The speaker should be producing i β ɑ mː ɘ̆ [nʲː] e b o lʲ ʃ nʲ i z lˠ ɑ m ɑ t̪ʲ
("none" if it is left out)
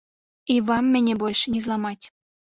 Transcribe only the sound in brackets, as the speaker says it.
nʲ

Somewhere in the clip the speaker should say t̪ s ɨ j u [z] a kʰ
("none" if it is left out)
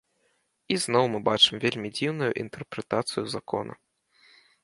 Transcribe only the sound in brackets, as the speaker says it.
z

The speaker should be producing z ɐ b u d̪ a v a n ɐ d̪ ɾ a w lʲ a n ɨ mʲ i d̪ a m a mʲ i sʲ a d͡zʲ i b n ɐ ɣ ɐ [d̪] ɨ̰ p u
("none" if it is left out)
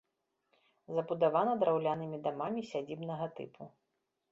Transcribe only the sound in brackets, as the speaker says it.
t̪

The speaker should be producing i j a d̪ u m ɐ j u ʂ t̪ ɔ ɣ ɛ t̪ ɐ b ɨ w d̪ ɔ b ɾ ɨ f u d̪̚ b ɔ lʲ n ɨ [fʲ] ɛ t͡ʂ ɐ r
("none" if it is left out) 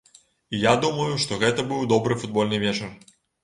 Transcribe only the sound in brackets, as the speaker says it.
vʲ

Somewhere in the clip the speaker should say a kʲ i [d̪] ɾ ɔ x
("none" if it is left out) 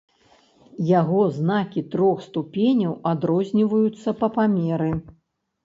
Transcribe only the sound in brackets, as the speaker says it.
t̪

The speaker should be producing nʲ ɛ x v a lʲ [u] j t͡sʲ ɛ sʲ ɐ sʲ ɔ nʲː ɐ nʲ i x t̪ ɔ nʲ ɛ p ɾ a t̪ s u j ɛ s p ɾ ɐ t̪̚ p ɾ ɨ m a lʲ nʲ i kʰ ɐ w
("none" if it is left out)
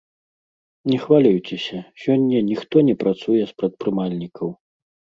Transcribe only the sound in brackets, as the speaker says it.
u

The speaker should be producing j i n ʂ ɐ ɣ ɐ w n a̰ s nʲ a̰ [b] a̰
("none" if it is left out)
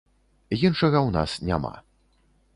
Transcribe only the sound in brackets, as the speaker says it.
m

